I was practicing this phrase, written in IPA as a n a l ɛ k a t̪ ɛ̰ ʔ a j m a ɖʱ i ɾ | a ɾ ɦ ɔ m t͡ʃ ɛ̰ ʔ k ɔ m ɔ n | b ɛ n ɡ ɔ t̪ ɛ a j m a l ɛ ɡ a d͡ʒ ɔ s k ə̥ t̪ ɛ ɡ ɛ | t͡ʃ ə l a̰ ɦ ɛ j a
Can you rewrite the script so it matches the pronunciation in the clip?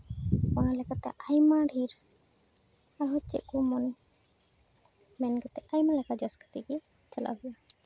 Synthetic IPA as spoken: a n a l ɛ k a t̪ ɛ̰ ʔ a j m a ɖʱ i ɾ | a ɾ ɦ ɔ t͡ʃ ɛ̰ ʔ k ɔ m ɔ n | m ɛ n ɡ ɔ t̪ ɛ a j m a l ɛ k a d͡ʒ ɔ s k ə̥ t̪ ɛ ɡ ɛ | t͡ʃ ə l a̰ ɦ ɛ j a